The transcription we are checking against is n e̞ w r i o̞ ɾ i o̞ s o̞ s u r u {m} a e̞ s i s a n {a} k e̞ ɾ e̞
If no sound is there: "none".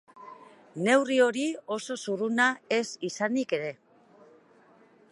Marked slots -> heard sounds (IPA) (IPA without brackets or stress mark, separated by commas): n, i